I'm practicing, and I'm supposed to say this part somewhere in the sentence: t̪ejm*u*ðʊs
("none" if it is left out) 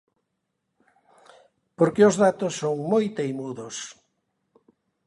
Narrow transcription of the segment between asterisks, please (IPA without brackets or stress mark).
u